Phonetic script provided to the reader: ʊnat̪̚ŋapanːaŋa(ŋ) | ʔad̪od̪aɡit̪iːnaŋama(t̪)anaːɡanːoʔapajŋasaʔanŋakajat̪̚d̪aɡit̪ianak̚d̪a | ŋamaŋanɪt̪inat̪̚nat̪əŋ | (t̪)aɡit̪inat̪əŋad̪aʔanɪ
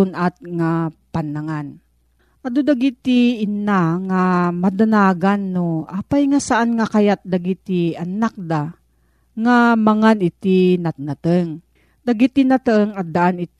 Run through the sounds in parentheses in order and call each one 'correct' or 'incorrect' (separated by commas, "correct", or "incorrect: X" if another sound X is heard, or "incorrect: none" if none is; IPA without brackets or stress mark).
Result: incorrect: n, incorrect: d̪, incorrect: d̪